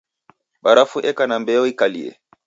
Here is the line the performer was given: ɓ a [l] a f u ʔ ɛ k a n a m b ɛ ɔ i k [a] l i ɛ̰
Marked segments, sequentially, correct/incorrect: incorrect, correct

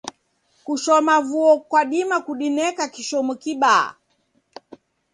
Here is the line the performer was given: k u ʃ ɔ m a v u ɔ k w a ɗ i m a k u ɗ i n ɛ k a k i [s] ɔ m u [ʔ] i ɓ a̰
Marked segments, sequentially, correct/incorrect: incorrect, incorrect

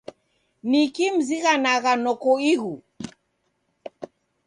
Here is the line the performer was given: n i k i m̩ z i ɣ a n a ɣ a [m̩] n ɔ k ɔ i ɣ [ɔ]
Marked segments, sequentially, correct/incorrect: incorrect, incorrect

